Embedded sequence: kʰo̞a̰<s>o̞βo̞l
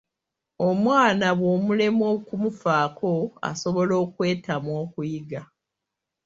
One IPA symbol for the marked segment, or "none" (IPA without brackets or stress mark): s